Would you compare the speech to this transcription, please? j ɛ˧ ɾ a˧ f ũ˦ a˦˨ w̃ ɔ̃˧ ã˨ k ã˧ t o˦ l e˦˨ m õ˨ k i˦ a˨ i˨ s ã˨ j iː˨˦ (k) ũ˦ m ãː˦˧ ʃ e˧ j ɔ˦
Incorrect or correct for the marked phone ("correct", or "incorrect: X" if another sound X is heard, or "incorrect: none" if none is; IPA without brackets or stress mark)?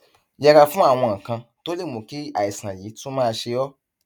incorrect: t